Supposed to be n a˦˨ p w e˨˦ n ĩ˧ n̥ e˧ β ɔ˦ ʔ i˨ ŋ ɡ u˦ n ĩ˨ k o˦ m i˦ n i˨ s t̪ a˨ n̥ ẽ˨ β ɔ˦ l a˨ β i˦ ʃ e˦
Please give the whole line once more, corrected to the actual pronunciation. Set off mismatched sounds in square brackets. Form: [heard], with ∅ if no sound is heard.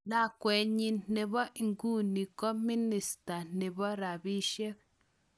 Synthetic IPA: n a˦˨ [k] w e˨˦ [ɲ] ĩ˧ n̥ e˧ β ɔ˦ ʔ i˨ ŋ ɡ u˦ n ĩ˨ k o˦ m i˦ n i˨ s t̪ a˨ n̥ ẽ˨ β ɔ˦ [ɾ] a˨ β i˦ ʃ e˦